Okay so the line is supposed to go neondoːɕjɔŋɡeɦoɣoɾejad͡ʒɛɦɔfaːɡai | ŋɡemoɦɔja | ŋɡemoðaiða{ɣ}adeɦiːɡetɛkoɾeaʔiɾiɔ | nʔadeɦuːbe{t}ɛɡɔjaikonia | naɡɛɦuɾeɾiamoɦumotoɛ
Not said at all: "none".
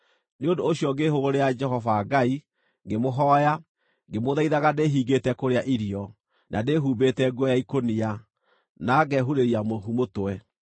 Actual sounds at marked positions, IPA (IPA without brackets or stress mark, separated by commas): ɣ, t